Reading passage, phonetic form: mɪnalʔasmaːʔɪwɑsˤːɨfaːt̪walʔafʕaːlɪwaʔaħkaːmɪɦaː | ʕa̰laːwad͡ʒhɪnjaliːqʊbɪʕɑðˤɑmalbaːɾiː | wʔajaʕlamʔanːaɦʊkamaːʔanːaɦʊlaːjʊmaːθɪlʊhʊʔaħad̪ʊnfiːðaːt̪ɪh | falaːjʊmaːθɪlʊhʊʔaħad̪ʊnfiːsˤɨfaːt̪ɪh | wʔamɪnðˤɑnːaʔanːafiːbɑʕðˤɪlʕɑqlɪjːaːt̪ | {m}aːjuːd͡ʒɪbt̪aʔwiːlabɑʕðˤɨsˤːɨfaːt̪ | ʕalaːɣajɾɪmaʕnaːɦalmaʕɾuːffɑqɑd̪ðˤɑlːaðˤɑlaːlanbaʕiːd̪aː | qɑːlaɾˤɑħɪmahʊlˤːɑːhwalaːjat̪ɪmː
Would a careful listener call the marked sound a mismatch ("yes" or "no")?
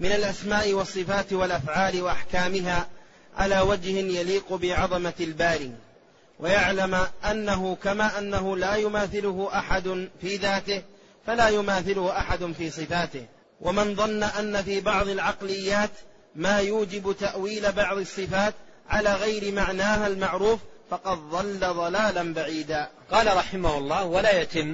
no